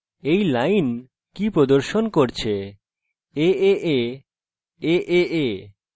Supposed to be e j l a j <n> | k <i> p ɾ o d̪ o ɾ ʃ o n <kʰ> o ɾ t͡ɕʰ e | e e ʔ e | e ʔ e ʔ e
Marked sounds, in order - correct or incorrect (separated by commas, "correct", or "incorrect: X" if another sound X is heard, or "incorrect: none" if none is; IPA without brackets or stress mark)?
correct, correct, incorrect: k